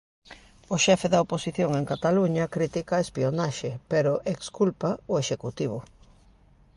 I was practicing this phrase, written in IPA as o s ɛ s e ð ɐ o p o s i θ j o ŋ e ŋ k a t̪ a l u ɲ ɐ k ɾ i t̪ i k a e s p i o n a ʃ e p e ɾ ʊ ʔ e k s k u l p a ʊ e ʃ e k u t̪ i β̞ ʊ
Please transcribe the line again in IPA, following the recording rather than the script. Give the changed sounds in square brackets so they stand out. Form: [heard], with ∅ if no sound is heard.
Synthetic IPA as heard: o [ʃ] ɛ [f] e ð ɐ o p o s i θ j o ŋ e ŋ k a t̪ a l u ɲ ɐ k ɾ i t̪ i k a e s p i o n a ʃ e p e ɾ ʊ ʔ e k s k u l p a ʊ e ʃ e k u t̪ i β̞ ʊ